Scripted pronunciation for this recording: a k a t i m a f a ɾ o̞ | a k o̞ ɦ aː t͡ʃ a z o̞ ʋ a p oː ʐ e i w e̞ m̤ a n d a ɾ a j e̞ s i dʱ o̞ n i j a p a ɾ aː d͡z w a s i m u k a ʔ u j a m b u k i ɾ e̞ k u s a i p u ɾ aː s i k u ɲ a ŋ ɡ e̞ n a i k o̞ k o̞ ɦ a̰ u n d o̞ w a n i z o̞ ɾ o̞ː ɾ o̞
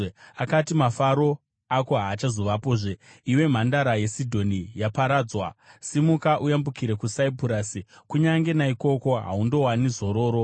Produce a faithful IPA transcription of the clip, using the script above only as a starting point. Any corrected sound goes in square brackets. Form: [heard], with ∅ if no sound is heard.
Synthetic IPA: a k a t i m a f a ɾ o̞ | a k o̞ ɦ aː t͡ʃ a z o̞ ʋ a p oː ʐ e i w e̞ m̤ a n d a ɾ a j e̞ s i dʱ o̞ n i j a p a ɾ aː d͡z w a s i m u k a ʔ u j a m b u k i ɾ e̞ k u s a i p u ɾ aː s i k u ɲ a ŋ ɡ e̞ n a i k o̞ k o̞ ɦ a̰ u n d o̞ w a n i z o̞ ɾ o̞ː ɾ o̞